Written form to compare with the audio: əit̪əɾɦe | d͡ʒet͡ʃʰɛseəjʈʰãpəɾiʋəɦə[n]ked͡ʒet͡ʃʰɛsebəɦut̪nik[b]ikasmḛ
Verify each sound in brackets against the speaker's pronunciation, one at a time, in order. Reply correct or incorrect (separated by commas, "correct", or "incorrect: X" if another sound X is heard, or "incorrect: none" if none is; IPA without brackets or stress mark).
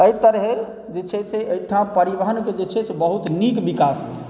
correct, correct